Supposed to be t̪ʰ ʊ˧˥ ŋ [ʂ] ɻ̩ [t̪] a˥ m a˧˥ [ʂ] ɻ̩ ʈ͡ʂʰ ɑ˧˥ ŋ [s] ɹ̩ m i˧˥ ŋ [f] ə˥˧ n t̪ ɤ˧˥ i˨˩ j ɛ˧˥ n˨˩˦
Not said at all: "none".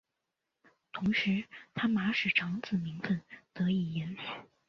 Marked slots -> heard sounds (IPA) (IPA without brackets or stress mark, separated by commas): ʂ, t̪ʰ, ʂ, t͡s, f